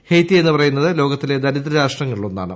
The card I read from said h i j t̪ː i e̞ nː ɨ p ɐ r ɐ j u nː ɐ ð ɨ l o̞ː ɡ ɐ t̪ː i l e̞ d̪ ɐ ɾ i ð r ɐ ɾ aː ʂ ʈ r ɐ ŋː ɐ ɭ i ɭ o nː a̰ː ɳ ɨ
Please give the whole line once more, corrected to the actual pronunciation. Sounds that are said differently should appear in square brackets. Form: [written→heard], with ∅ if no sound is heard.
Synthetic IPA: h [i→e] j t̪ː i e̞ nː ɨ p ɐ r ɐ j u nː ɐ ð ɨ l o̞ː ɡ ɐ t̪ː i l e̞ d̪ ɐ ɾ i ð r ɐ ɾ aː ʂ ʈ r ɐ ŋː ɐ ɭ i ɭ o nː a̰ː ɳ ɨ